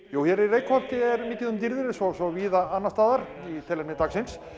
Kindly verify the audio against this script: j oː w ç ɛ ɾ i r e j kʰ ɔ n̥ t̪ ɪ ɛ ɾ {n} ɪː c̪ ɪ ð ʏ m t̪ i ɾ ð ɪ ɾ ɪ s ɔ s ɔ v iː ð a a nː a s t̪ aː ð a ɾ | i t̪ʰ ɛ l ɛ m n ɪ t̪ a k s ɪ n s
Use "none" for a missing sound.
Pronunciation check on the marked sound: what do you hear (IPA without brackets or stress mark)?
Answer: m